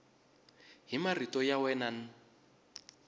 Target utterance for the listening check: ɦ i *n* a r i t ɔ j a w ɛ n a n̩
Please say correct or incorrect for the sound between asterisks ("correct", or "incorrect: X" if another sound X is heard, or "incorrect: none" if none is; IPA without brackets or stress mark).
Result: incorrect: m